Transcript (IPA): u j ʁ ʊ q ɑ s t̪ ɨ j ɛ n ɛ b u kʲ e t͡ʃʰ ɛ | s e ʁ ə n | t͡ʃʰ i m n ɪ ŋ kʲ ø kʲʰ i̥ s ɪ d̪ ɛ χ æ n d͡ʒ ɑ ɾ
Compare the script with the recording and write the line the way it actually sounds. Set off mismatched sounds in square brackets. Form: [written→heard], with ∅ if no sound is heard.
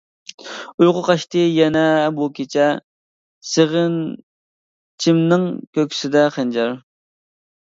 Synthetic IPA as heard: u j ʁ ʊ q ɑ [s→ʃ] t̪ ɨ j ɛ n ɛ b u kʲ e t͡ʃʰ ɛ | s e ʁ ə n | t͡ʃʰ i m n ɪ ŋ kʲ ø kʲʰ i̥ s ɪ d̪ ɛ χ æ n d͡ʒ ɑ ɾ